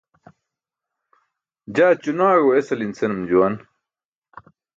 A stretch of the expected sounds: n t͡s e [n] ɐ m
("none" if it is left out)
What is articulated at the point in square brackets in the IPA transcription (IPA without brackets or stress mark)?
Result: n